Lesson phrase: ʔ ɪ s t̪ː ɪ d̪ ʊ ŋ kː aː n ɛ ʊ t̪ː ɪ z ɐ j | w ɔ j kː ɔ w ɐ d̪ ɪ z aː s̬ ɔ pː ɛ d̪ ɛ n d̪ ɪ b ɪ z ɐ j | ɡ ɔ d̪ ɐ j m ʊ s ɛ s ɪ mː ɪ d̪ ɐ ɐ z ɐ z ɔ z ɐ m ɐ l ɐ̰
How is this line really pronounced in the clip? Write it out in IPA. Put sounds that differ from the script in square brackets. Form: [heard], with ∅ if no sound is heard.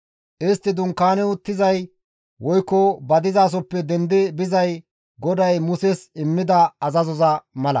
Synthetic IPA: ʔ ɪ s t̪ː ɪ d̪ ʊ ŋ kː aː n ɛ ʊ t̪ː ɪ z ɐ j | w ɔ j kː ɔ [b] ɐ d̪ ɪ z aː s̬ ɔ pː ɛ d̪ ɛ n d̪ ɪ b ɪ z ɐ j | ɡ ɔ d̪ ɐ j m ʊ s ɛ s ɪ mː ɪ d̪ ɐ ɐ z ɐ z ɔ z ɐ m ɐ l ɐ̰